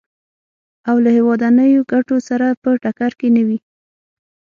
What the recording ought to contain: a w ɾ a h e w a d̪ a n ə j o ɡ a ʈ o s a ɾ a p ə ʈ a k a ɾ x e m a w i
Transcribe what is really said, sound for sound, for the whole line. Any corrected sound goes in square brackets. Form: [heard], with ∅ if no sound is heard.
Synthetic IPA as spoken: a w [l] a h e w [ɑ] d̪ a n ə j o ɡ a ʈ o s a ɾ a p ə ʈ a k a ɾ [k] e [n] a w i